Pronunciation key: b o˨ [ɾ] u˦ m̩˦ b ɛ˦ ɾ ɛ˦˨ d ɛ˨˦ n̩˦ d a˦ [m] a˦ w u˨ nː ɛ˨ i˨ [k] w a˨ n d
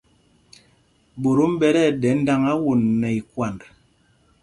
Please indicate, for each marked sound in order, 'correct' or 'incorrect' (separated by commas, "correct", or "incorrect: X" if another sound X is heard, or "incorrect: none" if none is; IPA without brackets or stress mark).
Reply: correct, incorrect: ŋ, correct